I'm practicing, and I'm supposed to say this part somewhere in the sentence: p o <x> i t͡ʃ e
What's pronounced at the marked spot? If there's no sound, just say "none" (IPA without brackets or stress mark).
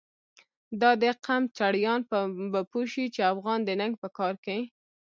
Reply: ʃ